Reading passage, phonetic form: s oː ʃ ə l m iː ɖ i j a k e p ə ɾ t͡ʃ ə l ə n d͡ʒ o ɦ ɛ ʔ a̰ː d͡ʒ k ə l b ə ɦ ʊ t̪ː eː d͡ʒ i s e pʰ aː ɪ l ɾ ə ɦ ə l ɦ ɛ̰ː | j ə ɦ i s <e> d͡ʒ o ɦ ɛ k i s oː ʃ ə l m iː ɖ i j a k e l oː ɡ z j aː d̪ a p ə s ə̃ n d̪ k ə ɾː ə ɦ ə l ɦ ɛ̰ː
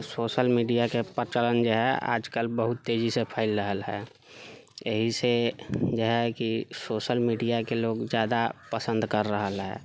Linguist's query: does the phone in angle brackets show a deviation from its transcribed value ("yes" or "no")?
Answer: no